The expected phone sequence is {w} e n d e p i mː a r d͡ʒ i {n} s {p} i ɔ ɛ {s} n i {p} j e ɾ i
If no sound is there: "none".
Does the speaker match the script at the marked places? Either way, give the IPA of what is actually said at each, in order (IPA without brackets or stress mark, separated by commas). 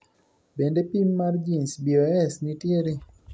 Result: b, n, b, s, t